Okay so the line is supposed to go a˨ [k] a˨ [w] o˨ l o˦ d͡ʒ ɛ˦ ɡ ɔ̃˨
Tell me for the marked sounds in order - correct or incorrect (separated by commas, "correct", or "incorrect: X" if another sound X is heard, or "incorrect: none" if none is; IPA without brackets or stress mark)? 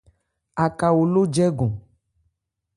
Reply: correct, correct